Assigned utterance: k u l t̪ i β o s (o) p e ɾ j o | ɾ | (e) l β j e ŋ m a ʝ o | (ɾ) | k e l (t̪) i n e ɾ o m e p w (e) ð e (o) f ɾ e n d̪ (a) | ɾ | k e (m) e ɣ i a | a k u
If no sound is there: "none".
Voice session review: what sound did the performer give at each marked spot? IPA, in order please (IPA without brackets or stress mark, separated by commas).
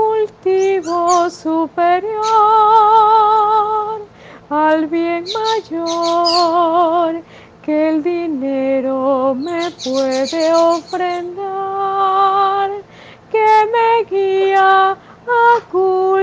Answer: u, a, ɾ, d̪, e, o, a, m